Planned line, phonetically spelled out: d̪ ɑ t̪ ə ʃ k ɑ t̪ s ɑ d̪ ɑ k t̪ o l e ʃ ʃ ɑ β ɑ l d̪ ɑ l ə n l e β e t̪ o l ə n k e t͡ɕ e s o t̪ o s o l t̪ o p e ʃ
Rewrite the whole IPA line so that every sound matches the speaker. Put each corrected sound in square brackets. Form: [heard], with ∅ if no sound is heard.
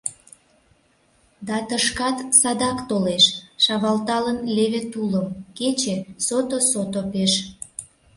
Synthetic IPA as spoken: d̪ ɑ t̪ ə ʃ k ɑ t̪ s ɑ d̪ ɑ k t̪ o l e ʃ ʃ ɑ β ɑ l [t̪] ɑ l ə n l e β e t̪ [u] l ə [m] k e t͡ɕ e s o t̪ o s o [∅] t̪ o p e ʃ